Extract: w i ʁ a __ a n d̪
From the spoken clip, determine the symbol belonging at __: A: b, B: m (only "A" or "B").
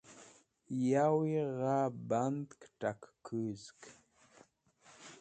A